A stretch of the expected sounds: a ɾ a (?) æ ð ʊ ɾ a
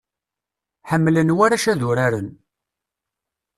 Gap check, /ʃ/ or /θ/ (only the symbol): ʃ